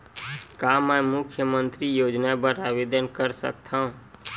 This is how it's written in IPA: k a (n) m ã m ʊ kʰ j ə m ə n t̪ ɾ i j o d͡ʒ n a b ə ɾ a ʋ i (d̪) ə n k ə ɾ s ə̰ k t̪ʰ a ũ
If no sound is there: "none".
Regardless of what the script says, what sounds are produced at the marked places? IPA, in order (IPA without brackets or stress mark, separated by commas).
none, d̪